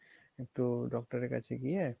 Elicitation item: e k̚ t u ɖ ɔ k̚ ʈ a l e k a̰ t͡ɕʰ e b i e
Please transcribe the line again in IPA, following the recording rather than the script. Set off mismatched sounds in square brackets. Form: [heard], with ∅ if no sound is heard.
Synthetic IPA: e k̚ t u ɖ ɔ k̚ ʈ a [ɾ] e k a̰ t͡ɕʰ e [ɡ] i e